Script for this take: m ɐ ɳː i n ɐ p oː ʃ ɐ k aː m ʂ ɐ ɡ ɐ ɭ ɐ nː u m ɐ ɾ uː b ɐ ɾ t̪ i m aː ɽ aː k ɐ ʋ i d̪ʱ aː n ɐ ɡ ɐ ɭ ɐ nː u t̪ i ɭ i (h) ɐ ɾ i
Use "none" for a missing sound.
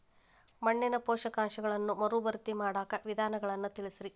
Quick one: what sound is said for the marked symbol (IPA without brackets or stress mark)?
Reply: s